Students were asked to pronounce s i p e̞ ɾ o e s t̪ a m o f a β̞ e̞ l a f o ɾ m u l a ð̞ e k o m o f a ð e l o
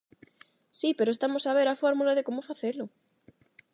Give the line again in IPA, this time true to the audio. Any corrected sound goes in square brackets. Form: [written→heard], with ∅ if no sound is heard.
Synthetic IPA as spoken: s i p e̞ ɾ o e s t̪ a m o [f→s] a β̞ e̞ [l→ɾ] a f o ɾ m u l a ð̞ e k o m o f a [ð→θ] e l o